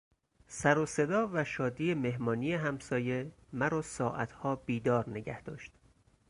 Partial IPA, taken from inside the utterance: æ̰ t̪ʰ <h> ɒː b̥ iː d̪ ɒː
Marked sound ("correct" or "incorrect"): correct